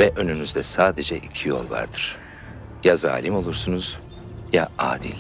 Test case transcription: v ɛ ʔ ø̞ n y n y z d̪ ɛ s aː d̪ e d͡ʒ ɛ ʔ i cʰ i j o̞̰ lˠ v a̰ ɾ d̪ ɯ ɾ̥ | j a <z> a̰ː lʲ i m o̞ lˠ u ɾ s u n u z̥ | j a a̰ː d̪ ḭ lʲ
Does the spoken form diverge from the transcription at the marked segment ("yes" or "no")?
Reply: no